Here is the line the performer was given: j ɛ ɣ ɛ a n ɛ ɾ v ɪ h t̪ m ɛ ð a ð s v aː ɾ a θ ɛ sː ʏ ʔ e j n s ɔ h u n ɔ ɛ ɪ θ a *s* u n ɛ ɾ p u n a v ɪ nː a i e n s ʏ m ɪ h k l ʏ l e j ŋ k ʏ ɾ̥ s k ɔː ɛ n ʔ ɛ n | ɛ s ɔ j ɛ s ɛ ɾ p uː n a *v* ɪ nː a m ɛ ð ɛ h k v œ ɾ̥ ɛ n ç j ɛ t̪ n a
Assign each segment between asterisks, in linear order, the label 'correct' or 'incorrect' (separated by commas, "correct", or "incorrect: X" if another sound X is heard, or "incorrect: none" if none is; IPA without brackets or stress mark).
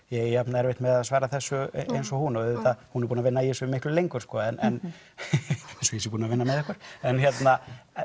incorrect: h, correct